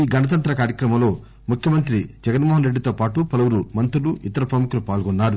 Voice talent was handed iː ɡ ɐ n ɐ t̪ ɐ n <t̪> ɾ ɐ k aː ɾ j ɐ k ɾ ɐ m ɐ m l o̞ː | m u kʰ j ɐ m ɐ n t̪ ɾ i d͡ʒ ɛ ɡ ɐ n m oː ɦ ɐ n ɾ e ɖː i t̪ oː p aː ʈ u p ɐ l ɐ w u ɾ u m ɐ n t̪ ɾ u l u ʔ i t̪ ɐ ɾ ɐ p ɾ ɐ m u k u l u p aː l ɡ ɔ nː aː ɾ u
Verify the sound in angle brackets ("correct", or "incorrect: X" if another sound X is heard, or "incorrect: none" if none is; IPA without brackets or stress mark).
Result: correct